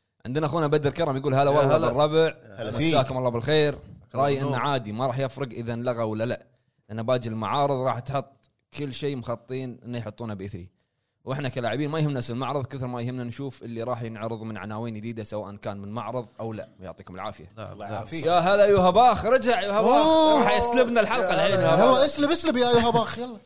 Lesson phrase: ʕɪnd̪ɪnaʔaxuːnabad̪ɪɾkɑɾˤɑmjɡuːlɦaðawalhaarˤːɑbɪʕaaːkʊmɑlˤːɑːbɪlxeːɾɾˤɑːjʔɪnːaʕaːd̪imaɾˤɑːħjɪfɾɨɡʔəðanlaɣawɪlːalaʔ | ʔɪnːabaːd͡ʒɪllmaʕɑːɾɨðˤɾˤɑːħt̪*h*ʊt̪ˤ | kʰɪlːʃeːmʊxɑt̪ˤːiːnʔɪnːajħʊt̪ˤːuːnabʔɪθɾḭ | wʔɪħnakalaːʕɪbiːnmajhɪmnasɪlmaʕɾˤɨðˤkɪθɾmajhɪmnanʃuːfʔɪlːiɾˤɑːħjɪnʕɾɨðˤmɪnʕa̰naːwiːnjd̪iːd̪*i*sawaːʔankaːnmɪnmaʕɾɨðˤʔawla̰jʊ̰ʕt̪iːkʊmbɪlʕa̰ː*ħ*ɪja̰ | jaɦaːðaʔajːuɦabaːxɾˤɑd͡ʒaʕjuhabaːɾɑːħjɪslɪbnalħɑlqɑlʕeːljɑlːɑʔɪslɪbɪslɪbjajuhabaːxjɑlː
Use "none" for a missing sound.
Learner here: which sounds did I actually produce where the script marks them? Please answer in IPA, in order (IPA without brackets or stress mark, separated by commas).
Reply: ħ, a, f